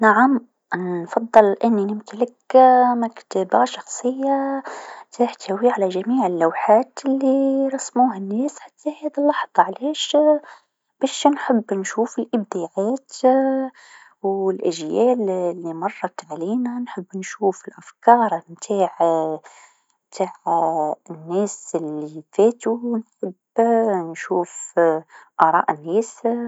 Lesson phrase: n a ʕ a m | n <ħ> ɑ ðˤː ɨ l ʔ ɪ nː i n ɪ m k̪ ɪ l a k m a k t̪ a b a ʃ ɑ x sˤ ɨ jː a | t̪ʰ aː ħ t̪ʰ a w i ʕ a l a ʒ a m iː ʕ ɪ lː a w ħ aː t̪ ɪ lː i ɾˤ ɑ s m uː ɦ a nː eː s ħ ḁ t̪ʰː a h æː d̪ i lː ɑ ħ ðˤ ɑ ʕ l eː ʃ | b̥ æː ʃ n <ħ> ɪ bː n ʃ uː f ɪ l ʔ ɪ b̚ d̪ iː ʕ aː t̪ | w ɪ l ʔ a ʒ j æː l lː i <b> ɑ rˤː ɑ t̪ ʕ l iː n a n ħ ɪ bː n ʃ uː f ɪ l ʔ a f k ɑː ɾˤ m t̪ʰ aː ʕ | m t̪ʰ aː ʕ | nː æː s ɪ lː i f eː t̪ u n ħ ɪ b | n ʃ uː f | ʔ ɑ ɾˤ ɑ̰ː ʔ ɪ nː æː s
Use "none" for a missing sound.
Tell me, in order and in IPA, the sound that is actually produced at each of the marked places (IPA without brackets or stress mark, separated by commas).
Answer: f, ħ, m